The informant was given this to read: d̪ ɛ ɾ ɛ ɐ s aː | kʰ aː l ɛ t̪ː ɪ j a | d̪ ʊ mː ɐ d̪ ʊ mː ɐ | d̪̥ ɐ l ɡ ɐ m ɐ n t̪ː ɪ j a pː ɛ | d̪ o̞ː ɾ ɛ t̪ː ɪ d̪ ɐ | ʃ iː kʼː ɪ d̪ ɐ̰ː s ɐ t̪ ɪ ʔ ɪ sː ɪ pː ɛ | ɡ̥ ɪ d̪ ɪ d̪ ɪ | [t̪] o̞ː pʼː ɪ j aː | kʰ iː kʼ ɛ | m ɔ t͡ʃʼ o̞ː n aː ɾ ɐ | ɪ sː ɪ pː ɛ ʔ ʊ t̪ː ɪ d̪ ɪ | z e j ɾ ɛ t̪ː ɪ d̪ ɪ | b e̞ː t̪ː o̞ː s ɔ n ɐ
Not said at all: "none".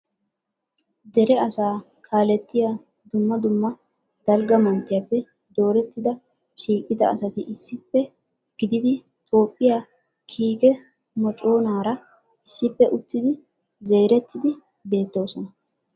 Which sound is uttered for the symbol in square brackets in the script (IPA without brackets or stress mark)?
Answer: t̪ʼ